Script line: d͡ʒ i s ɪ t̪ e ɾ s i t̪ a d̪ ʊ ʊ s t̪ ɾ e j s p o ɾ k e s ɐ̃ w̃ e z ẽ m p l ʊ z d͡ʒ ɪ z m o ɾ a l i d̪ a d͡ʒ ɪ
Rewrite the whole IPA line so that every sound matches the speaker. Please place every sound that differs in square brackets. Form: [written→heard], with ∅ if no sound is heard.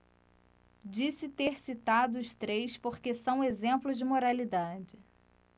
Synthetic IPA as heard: d͡ʒ i s ɪ t̪ e ɾ s i t̪ a d̪ ʊ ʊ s t̪ ɾ e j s p o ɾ k e s ɐ̃ w̃ e z ẽ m p l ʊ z d͡ʒ ɪ [z→∅] m o ɾ a l i d̪ a d͡ʒ ɪ